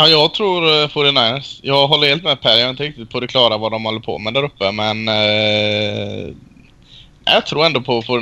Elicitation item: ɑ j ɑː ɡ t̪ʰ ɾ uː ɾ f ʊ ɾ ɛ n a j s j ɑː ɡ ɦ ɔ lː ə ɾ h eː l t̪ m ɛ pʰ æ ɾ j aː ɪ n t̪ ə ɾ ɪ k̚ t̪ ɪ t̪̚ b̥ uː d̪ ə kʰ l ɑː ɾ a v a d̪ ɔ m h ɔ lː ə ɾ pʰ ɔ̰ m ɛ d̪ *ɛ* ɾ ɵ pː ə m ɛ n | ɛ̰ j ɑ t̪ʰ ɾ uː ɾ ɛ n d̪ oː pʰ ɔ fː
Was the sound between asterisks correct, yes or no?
no